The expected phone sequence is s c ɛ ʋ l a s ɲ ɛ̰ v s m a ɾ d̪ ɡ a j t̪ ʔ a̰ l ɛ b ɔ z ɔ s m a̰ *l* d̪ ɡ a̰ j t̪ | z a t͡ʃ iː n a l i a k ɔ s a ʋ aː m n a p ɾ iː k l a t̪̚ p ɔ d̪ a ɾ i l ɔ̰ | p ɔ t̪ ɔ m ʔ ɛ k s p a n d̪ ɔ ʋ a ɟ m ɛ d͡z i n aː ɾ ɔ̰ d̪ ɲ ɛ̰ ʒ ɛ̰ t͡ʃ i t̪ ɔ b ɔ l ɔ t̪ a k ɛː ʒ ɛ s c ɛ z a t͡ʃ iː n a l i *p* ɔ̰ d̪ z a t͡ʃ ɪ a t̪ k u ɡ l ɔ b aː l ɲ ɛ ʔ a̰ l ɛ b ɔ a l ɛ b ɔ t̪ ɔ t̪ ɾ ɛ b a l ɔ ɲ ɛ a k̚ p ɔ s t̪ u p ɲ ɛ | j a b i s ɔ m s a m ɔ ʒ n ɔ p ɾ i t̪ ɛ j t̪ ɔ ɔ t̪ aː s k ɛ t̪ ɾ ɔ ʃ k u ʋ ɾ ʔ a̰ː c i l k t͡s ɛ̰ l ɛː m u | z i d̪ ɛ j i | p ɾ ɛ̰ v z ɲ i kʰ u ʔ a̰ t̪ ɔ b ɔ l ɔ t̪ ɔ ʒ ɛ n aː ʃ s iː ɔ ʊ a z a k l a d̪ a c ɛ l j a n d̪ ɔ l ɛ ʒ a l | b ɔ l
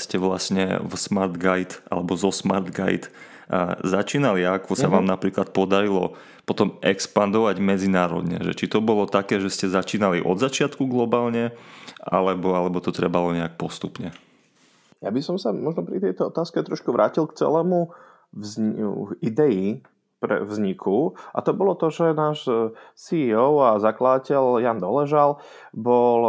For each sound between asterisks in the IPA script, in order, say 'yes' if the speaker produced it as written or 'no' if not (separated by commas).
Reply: no, no